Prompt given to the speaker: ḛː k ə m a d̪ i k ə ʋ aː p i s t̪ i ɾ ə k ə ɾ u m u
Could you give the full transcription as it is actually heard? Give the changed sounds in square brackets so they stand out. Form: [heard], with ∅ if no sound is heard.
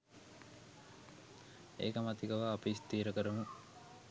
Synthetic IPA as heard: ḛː k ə m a [t̪] i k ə ʋ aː p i s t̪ [iː] ɾ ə k ə ɾ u m u